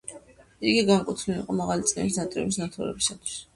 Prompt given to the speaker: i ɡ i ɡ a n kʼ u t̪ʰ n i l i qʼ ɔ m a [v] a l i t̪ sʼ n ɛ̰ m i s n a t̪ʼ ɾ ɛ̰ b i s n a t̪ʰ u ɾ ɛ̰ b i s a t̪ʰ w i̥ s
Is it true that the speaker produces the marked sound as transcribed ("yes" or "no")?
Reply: no